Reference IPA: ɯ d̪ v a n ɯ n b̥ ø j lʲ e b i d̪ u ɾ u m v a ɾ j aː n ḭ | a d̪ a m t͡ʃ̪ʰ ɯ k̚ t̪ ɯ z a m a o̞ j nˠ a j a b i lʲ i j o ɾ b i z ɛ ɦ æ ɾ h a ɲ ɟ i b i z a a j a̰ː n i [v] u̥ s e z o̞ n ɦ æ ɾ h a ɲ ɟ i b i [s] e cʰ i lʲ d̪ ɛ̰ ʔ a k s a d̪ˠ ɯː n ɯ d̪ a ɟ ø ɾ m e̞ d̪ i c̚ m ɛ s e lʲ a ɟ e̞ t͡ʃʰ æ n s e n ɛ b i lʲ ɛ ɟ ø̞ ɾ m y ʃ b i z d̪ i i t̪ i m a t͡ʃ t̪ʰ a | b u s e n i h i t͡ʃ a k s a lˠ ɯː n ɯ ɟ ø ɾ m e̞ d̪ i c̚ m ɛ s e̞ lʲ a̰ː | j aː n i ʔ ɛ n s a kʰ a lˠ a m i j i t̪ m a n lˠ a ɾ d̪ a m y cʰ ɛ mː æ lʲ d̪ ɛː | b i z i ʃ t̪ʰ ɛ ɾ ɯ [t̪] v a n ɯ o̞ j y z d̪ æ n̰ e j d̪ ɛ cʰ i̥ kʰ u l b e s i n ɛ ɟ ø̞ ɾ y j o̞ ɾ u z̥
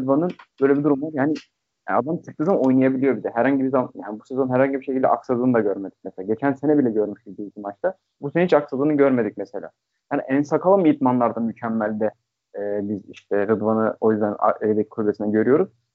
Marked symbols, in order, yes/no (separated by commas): no, no, no